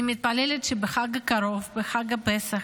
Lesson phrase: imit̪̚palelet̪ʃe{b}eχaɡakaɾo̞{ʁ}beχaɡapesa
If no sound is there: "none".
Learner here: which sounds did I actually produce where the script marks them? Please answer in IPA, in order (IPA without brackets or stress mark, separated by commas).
b, v